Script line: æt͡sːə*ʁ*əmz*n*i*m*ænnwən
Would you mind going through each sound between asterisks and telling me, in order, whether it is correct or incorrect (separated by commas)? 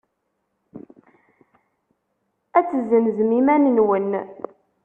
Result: incorrect, incorrect, correct